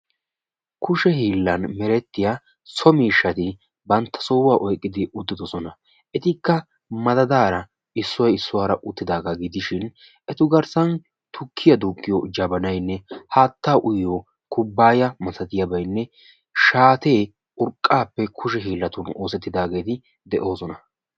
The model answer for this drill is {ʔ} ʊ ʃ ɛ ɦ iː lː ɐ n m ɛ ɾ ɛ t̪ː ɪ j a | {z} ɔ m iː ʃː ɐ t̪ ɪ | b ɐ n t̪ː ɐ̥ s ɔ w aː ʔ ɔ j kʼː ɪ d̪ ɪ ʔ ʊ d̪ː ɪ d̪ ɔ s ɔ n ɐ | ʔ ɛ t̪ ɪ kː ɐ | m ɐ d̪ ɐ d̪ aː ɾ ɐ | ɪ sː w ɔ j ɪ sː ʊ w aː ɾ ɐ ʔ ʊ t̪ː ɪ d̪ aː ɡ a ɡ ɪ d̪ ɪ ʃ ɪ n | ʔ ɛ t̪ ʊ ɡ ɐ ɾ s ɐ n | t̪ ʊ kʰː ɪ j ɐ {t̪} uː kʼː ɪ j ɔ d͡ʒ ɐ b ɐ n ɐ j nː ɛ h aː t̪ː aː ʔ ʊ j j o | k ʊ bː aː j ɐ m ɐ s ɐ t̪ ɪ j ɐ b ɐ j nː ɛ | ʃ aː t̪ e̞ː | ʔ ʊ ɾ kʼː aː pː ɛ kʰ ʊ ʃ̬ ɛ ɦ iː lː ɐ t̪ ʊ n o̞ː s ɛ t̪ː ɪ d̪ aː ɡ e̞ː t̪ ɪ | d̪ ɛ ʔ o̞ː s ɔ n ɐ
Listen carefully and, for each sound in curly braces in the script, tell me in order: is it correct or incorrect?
incorrect, incorrect, incorrect

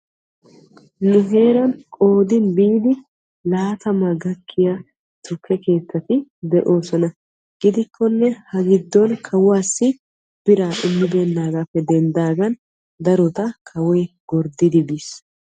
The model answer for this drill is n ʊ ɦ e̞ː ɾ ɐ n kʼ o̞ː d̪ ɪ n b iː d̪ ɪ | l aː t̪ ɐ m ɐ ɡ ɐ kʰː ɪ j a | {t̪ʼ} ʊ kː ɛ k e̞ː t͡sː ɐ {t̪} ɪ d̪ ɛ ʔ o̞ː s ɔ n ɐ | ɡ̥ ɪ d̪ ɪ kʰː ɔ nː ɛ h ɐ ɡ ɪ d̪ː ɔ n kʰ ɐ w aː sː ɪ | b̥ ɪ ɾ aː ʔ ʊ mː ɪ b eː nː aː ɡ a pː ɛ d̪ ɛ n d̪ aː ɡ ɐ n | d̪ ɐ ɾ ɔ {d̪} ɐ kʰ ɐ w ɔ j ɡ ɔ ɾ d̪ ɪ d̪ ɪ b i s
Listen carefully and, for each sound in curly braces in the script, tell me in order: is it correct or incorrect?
incorrect, correct, incorrect

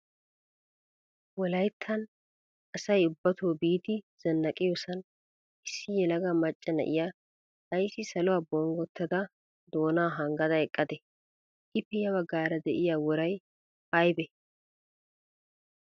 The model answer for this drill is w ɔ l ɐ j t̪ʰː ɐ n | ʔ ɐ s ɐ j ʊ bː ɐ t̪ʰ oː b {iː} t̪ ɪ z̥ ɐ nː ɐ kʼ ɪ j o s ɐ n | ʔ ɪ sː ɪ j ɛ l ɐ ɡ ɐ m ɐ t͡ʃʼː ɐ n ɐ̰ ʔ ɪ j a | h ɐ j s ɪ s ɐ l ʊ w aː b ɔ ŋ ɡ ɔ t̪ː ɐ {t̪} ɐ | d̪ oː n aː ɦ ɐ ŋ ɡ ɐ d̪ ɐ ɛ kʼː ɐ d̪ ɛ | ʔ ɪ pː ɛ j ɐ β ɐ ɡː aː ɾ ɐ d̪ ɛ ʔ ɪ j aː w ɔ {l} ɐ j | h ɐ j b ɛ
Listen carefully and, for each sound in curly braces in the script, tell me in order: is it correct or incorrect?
correct, incorrect, incorrect

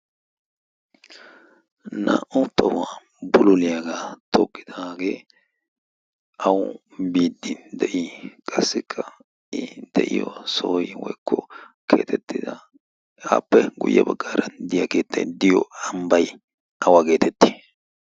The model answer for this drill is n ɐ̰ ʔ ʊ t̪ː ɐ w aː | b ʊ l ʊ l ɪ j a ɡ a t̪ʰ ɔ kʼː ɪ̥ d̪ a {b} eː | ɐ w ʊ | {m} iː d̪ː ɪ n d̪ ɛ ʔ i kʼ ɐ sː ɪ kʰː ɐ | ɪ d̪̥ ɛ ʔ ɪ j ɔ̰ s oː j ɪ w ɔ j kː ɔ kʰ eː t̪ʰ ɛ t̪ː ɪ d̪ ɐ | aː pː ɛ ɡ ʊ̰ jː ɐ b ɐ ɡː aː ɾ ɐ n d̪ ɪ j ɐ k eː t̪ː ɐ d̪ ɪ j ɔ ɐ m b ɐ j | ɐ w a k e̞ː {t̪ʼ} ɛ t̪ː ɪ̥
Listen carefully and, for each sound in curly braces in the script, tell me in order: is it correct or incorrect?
incorrect, incorrect, incorrect

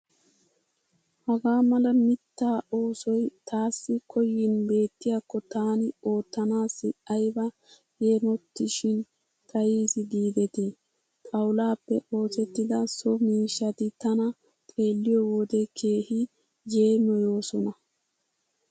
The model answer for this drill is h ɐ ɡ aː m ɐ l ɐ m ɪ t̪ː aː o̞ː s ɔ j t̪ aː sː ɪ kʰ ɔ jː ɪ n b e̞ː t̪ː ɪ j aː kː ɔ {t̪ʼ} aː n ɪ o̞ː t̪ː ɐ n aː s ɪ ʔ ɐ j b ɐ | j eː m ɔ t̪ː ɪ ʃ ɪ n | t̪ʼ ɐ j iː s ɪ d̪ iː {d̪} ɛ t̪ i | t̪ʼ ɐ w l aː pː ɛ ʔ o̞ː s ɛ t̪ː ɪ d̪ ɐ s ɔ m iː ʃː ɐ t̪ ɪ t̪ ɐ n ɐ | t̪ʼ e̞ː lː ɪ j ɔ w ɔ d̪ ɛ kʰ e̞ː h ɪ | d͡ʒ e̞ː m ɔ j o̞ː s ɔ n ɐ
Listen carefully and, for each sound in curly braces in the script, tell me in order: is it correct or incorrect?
incorrect, correct

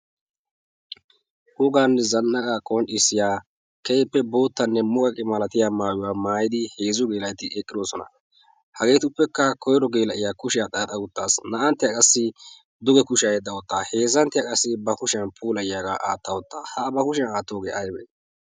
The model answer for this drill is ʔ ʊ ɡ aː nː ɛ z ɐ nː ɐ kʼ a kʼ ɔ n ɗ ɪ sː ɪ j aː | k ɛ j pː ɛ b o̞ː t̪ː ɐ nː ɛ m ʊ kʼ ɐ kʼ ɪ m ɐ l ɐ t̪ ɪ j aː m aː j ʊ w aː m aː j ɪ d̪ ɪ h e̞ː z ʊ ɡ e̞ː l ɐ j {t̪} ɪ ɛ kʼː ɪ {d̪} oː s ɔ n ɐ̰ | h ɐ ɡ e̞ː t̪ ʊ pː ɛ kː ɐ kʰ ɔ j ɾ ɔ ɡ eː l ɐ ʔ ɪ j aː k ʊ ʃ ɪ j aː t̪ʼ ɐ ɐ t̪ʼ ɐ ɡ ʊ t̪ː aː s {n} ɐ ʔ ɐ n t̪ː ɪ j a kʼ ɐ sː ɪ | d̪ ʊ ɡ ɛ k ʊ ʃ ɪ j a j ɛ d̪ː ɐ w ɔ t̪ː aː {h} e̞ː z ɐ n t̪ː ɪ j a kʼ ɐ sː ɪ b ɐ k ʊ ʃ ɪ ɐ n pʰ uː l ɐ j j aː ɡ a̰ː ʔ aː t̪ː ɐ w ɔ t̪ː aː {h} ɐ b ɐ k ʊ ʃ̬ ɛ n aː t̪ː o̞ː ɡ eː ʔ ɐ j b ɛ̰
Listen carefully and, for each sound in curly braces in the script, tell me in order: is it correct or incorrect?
correct, correct, correct, correct, correct

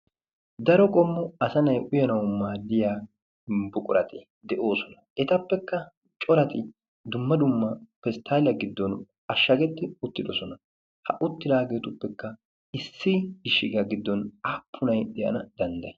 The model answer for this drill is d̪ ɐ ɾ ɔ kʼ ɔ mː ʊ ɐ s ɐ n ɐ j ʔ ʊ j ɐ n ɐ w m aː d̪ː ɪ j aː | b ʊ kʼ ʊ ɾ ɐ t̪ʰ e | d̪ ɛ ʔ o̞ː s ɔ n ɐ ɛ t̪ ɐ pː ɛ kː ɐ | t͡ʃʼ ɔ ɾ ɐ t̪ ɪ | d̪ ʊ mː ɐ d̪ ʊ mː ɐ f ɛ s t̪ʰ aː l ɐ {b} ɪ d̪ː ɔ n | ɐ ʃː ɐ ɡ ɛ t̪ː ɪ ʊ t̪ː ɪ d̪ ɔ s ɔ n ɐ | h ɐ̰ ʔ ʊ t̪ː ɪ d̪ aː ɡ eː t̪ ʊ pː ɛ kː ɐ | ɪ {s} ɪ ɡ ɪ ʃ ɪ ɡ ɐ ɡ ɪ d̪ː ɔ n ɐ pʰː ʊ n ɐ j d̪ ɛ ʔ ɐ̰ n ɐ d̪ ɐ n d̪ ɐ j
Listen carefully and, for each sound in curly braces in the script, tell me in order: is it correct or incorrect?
incorrect, incorrect

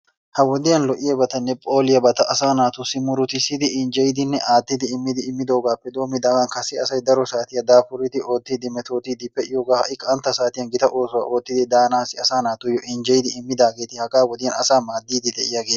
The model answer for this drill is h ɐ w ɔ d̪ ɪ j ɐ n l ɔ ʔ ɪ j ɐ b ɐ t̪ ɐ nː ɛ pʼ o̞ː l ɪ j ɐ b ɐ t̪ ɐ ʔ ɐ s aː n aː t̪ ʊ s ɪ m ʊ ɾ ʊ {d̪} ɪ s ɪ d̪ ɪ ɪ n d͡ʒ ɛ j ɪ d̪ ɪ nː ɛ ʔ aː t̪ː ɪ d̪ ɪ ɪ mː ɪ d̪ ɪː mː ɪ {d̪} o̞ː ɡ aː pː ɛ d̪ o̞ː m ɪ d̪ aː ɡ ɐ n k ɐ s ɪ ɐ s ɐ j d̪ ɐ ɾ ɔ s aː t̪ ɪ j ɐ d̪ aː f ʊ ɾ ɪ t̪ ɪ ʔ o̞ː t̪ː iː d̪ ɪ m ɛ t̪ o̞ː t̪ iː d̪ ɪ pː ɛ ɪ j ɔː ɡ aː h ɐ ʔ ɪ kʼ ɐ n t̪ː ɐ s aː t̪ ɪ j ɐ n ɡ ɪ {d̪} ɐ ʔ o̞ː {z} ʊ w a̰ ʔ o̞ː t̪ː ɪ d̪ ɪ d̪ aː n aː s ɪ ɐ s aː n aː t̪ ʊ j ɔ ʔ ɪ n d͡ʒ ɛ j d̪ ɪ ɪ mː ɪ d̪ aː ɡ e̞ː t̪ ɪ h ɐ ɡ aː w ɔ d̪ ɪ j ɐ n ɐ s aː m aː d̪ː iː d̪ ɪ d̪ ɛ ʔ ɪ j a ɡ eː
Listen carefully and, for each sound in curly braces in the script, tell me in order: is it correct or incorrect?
incorrect, correct, incorrect, incorrect

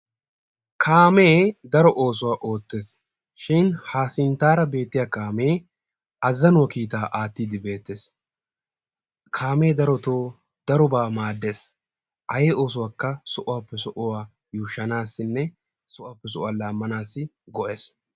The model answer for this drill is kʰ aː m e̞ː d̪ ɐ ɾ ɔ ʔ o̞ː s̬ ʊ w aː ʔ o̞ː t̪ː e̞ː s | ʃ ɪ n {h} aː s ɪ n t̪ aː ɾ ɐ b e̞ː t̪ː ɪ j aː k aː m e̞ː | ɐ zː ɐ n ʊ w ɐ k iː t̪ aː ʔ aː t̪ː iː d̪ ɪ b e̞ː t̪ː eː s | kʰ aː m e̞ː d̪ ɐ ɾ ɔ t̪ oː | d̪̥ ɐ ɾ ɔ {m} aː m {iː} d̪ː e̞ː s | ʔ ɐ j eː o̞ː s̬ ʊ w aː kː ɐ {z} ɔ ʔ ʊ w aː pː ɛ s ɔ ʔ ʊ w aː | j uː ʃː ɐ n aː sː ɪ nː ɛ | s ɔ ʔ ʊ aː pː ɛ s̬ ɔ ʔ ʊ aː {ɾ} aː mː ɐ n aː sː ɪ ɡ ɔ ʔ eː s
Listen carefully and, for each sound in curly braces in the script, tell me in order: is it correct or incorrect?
correct, incorrect, incorrect, incorrect, incorrect

